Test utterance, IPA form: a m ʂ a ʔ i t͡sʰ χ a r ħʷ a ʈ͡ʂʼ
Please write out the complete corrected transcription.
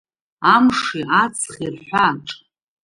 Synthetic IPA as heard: a m ʂ i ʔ a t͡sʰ χ i r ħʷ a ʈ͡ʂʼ